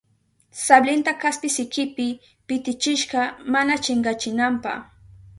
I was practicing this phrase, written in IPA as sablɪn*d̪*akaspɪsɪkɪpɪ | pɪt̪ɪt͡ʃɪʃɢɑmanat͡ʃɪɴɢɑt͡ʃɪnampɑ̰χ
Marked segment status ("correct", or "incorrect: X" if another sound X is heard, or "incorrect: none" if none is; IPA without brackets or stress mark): incorrect: t̪